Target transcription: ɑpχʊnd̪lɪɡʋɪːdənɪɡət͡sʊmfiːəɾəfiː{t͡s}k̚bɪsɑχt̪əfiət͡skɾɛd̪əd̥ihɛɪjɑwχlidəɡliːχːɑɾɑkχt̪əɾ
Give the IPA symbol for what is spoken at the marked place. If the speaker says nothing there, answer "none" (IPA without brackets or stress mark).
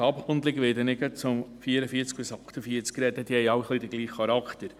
t͡s